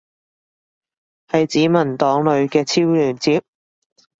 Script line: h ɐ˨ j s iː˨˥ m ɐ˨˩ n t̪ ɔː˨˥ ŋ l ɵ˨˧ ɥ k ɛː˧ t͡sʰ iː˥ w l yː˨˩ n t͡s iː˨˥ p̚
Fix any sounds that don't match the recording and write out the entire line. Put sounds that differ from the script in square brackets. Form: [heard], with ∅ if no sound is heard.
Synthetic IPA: h ɐ˨ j [t͡s] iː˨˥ m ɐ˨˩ n t̪ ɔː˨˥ ŋ l ɵ˨˧ ɥ k ɛː˧ t͡sʰ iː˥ w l yː˨˩ n t͡s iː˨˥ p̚